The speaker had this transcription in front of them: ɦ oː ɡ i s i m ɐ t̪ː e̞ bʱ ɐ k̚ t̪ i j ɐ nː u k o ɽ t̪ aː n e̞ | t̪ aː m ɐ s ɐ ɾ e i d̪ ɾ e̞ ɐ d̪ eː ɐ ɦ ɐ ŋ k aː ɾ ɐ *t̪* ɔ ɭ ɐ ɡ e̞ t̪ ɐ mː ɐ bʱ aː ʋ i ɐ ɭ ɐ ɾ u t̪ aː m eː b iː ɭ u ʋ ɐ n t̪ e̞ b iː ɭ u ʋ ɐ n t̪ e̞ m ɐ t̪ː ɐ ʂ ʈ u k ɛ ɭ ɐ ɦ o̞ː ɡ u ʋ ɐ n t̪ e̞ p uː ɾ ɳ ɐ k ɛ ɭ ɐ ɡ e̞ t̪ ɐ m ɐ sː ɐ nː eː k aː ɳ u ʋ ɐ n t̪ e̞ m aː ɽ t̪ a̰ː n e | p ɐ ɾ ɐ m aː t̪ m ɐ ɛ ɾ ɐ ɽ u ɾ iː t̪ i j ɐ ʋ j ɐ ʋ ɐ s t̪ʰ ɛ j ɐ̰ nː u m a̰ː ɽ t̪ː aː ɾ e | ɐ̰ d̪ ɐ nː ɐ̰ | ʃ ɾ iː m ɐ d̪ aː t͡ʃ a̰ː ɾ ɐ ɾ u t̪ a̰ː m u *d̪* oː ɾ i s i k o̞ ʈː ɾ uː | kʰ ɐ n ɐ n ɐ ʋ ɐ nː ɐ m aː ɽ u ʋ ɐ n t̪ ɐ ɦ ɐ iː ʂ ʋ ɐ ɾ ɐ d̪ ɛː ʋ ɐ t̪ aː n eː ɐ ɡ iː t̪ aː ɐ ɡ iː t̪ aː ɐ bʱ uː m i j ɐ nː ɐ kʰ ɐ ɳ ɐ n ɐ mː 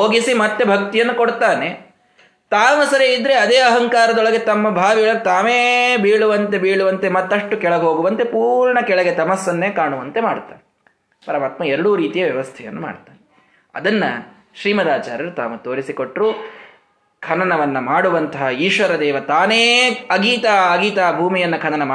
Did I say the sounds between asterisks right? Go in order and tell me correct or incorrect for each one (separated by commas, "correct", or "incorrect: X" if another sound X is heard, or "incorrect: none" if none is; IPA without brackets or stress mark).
incorrect: d̪, incorrect: t̪